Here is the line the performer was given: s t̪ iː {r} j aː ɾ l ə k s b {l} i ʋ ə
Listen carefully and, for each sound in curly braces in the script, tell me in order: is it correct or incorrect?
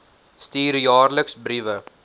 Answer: incorrect, incorrect

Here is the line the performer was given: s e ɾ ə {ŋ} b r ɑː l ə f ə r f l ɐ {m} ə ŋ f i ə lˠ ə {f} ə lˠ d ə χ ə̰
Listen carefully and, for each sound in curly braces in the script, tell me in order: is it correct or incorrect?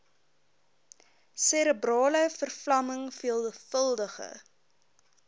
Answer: incorrect, correct, correct

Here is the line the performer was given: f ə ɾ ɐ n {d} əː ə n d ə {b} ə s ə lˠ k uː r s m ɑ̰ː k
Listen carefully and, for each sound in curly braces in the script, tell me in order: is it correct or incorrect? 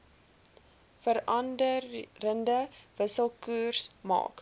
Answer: correct, incorrect

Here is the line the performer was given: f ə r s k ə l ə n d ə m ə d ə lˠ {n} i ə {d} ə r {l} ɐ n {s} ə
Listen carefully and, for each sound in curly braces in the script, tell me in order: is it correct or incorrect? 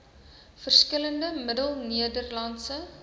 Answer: correct, correct, correct, correct

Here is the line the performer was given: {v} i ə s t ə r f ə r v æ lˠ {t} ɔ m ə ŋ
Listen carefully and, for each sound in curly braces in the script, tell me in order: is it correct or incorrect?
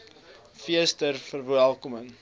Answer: incorrect, incorrect

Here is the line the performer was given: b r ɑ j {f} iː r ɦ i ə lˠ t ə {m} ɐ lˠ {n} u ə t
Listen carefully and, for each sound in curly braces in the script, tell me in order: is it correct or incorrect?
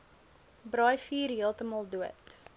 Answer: correct, correct, incorrect

